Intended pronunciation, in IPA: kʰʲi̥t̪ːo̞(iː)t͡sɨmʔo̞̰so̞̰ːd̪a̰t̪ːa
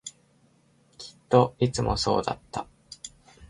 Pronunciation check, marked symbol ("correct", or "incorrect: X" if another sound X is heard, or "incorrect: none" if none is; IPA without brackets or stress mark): incorrect: i